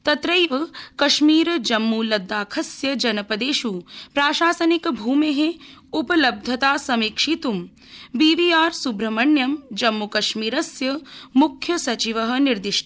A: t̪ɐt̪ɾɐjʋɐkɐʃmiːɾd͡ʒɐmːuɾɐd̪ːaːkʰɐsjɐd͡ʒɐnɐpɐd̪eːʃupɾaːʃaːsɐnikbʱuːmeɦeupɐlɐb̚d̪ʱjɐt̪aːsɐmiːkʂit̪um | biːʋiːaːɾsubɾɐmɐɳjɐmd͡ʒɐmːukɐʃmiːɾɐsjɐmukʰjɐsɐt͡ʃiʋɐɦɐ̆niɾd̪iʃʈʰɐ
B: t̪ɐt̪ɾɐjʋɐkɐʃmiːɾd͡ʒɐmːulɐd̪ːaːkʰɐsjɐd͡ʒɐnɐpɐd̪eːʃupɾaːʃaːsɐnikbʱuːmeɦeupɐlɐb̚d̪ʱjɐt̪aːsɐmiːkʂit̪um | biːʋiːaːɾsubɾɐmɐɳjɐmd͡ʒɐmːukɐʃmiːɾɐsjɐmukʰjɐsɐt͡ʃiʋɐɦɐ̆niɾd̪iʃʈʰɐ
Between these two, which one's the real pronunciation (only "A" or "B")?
B